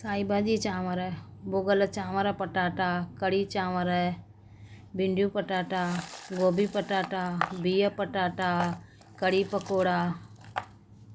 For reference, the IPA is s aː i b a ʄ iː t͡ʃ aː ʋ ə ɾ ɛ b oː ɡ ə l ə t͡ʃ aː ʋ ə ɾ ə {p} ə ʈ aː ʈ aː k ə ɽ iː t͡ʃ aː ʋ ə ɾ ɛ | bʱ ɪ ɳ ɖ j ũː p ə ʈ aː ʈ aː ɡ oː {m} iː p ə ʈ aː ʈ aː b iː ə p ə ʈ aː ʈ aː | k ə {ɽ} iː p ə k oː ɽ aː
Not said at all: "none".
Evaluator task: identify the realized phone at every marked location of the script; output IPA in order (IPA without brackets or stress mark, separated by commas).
p, b, ɽ